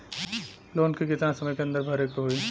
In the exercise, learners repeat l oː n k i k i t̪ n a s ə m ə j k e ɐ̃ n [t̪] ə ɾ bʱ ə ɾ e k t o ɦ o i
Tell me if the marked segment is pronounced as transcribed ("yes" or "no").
no